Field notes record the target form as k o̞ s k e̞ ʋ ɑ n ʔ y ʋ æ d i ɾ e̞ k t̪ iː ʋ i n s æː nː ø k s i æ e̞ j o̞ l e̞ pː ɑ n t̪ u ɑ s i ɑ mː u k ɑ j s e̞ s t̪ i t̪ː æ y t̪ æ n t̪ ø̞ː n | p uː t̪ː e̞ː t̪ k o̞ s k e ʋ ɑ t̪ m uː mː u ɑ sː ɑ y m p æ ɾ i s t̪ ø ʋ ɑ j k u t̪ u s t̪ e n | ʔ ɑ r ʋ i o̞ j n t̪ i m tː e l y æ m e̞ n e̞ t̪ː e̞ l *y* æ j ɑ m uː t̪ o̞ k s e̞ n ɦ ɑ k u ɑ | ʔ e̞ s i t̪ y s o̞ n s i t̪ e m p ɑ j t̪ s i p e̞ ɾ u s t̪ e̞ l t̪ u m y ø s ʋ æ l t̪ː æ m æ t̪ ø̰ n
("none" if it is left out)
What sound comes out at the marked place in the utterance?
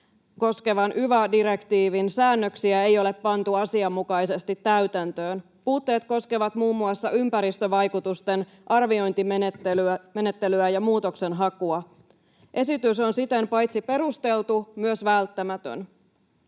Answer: y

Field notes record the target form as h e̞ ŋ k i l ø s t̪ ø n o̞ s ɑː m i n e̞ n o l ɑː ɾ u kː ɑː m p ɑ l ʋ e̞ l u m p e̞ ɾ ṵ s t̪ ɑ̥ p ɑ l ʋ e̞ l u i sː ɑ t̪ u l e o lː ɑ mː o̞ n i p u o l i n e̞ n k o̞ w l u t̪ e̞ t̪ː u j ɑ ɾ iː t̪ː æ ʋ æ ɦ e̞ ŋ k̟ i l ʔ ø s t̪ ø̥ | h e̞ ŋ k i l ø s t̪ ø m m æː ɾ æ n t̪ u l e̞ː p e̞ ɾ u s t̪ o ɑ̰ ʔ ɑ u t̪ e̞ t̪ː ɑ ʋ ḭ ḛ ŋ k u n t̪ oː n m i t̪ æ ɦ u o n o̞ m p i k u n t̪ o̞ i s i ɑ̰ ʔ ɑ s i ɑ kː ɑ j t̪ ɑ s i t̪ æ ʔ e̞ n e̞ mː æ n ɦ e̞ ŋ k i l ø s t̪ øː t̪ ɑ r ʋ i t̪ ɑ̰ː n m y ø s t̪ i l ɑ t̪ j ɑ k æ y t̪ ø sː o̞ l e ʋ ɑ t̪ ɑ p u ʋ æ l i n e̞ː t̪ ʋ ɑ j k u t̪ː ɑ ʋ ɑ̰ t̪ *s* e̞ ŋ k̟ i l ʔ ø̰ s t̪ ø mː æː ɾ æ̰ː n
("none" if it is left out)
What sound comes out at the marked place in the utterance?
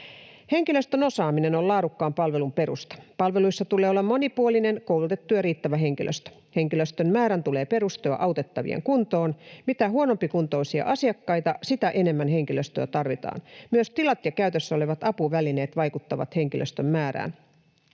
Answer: h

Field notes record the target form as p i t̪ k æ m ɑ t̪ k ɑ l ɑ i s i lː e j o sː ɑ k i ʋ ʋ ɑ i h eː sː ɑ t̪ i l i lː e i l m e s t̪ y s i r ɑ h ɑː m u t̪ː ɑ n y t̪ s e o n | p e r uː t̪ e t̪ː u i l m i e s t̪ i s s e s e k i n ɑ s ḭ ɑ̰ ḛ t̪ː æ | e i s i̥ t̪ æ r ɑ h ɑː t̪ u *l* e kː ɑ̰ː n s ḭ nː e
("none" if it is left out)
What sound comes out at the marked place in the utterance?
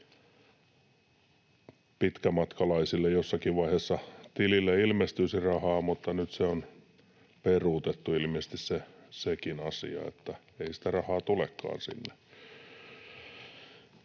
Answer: l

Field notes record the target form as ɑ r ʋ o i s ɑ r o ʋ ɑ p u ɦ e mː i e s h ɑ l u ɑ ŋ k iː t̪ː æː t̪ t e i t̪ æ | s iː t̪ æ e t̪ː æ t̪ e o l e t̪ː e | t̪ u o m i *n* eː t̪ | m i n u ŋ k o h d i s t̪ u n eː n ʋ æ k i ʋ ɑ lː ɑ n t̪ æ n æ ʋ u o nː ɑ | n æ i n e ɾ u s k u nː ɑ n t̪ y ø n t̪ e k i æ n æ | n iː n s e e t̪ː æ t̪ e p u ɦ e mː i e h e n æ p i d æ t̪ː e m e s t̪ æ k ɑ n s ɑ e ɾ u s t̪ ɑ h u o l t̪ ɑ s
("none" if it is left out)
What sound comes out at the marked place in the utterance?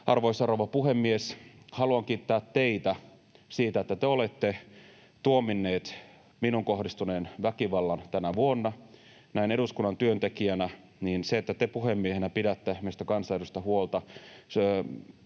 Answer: nː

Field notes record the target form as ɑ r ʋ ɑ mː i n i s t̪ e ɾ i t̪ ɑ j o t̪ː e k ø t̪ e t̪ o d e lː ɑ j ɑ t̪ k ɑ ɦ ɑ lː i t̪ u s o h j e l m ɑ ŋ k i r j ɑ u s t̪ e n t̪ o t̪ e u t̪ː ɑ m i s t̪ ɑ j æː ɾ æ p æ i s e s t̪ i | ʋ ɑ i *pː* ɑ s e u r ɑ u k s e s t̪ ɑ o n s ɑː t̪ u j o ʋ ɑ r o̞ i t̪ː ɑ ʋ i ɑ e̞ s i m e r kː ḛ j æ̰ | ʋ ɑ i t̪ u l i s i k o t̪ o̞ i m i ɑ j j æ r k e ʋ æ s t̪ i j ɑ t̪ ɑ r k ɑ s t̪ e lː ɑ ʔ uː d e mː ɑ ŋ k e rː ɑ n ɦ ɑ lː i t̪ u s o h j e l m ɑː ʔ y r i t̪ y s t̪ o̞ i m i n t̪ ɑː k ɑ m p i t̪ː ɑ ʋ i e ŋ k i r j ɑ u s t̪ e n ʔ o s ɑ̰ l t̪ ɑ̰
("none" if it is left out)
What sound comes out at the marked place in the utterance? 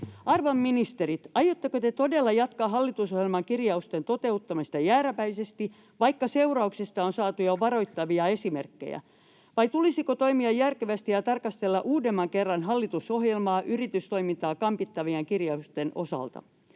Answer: kː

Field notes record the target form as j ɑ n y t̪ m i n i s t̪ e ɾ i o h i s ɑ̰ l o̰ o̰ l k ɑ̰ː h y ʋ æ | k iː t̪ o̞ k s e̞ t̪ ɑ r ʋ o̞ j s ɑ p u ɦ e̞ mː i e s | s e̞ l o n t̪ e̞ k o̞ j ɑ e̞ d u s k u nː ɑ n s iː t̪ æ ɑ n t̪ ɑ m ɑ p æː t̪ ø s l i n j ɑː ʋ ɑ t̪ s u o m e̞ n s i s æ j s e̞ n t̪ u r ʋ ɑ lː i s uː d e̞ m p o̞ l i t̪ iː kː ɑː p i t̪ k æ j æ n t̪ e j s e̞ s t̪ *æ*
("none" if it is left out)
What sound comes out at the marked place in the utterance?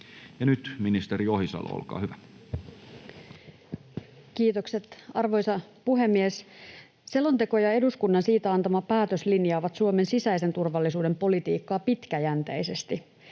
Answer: i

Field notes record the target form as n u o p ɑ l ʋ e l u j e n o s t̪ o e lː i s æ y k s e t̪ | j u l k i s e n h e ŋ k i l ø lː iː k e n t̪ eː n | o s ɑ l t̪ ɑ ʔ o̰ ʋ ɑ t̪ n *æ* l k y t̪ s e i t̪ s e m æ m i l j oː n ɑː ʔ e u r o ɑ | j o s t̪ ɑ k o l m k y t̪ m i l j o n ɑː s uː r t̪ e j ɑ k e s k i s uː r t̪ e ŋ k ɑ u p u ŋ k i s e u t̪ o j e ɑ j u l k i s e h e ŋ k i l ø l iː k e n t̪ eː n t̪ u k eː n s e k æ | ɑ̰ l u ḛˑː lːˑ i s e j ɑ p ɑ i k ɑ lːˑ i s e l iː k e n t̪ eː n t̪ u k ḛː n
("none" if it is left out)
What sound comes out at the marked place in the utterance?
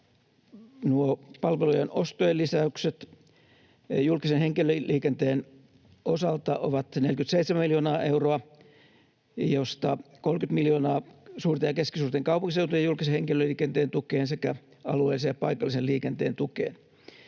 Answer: e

